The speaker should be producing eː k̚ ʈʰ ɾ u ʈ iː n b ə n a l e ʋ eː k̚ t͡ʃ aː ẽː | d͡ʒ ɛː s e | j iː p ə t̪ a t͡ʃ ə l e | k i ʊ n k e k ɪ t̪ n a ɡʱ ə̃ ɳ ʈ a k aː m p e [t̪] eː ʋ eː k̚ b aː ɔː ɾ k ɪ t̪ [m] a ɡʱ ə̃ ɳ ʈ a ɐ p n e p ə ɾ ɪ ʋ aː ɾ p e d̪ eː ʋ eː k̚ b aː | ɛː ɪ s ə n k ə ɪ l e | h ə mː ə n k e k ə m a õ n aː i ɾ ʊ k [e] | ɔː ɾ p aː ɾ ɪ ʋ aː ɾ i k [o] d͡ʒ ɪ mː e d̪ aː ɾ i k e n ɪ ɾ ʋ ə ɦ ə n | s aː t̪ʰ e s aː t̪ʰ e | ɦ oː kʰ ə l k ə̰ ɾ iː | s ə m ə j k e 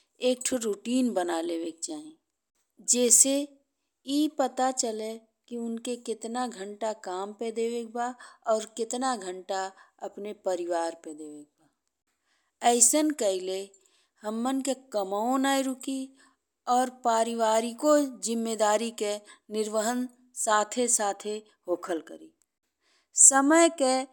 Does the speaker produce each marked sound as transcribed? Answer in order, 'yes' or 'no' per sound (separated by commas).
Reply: no, no, no, yes